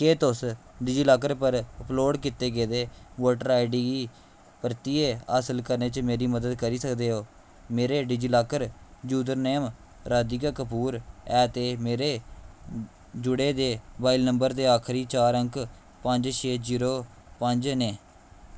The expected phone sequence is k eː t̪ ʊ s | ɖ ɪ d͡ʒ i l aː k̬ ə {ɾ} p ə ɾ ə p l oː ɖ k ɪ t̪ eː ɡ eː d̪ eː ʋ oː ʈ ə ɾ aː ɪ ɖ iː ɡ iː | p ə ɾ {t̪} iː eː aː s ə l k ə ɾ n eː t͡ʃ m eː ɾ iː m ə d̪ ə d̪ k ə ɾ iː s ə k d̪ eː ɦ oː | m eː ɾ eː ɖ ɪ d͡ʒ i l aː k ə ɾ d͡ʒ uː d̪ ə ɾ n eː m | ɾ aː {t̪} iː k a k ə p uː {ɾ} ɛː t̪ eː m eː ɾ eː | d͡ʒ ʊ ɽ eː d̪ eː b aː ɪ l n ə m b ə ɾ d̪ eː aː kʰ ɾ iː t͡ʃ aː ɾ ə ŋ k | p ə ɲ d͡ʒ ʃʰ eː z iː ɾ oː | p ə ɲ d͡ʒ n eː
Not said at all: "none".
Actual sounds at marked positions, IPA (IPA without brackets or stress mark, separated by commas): ɾ, t̪, d̪, ɾ